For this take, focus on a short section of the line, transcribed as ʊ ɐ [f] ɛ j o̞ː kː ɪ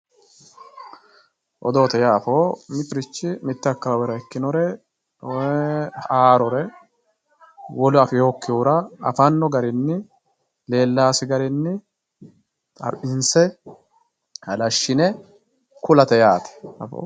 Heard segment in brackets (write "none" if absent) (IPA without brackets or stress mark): f